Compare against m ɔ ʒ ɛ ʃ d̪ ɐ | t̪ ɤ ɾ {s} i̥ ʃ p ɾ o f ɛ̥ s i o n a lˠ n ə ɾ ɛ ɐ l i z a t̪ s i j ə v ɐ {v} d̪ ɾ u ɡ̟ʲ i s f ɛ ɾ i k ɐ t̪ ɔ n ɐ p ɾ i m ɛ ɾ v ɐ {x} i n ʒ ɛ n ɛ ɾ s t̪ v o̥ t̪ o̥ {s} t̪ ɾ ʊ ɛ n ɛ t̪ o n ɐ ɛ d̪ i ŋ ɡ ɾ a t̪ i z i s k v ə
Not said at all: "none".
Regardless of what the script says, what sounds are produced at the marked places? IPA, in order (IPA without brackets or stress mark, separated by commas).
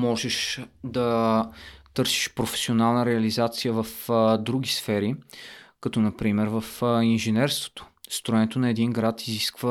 s, f, f, s